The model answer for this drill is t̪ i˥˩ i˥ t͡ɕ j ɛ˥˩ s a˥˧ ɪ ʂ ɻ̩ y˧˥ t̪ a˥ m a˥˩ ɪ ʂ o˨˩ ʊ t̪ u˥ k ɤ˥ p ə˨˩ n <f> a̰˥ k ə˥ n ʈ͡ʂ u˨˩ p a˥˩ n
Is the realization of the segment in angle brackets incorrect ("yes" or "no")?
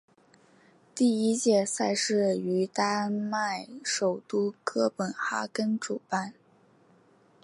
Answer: yes